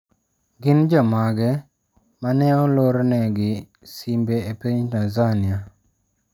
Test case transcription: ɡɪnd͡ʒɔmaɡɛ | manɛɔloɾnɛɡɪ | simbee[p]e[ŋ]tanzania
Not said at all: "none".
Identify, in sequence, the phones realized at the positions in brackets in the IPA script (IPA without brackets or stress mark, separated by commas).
p, ɲ